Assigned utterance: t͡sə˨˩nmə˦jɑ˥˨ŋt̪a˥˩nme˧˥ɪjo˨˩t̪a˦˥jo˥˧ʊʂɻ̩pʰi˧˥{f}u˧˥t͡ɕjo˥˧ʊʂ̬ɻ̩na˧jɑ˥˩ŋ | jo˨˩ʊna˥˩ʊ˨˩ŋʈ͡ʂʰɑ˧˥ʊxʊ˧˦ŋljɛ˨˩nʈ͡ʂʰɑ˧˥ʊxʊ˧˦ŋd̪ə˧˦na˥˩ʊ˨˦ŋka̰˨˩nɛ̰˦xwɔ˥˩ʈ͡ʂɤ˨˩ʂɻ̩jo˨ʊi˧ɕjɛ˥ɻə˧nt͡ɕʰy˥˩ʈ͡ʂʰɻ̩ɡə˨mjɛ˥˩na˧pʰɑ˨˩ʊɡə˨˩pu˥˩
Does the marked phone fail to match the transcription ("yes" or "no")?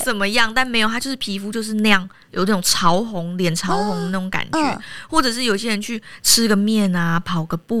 no